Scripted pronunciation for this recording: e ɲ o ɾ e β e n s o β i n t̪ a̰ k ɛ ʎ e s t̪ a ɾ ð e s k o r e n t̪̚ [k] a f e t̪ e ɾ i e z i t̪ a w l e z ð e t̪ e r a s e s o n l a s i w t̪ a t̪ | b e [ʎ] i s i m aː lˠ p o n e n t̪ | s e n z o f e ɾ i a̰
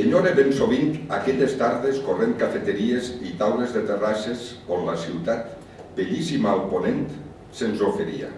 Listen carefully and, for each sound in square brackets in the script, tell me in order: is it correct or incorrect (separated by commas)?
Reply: correct, correct